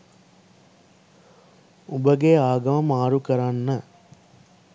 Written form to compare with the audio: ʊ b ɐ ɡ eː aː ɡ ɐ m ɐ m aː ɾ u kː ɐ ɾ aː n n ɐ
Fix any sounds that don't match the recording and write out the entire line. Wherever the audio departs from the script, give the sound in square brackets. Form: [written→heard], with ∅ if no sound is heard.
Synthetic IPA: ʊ b ɐ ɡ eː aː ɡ ɐ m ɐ m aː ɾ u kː ɐ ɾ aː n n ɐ